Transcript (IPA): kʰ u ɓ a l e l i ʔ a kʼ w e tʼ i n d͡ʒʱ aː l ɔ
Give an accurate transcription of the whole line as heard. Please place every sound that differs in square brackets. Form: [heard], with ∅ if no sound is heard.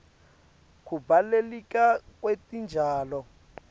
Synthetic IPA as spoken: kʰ u [b] a l e l i [k] a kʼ w e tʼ i n d͡ʒʱ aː l ɔ